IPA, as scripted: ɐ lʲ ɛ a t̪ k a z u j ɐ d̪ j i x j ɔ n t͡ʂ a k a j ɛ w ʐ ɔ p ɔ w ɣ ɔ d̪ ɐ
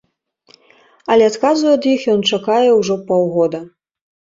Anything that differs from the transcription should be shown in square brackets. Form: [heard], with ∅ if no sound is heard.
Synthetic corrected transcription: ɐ lʲ ɛ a t̪ k a z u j ɐ d̪ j i x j ɔ n t͡ʂ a k a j ɛ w ʐ ɔ p ɔ w ɣ ɔ d̪ ɐ